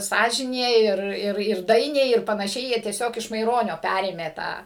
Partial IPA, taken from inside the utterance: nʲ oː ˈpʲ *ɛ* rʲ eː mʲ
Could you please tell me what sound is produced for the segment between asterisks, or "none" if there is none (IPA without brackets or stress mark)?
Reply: æ